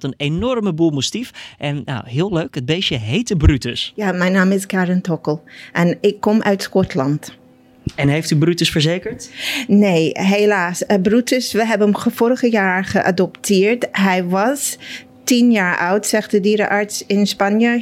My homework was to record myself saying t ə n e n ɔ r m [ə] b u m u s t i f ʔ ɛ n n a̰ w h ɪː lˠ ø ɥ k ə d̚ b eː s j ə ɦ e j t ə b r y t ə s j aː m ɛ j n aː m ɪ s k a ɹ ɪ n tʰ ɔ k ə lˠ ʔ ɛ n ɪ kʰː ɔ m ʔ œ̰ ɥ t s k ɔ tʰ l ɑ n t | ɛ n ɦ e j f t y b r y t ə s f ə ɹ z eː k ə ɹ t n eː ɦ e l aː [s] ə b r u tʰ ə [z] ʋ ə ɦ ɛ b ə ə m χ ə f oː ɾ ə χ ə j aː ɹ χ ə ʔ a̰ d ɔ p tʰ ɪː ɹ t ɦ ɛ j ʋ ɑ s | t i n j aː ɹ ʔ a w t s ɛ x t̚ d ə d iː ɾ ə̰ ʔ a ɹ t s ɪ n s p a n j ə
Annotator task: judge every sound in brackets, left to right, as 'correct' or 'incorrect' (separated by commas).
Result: correct, correct, incorrect